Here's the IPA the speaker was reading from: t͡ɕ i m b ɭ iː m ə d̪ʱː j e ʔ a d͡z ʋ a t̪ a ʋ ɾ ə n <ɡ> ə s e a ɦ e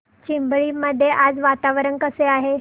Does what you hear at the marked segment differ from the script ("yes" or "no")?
yes